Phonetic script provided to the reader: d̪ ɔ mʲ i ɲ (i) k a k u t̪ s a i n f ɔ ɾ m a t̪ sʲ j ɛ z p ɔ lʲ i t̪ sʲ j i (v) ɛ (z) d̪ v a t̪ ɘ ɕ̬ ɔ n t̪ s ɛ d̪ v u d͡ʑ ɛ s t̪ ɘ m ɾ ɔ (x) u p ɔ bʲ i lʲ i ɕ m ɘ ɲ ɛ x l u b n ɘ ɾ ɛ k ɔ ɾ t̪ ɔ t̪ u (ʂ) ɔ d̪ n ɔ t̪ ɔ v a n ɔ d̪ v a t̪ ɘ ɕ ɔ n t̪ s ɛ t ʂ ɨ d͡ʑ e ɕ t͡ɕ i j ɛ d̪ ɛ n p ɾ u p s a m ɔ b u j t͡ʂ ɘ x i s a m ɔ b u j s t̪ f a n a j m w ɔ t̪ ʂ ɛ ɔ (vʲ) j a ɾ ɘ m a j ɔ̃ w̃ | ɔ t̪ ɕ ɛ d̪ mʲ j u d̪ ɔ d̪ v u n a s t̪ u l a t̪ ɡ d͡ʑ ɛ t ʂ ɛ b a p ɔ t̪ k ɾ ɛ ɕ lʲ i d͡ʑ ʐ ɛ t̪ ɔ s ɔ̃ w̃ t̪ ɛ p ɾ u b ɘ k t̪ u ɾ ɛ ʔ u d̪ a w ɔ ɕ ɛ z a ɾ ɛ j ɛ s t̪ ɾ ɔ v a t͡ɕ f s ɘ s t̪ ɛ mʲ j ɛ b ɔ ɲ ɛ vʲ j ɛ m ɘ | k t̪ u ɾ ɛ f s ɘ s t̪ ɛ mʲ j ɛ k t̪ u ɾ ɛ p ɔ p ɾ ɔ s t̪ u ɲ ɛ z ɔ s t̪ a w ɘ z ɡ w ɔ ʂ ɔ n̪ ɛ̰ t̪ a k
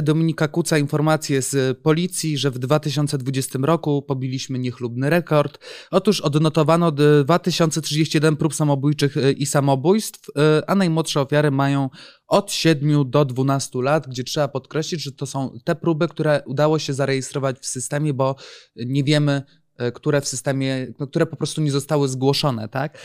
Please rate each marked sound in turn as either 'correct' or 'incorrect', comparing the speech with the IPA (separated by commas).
correct, incorrect, incorrect, incorrect, correct, incorrect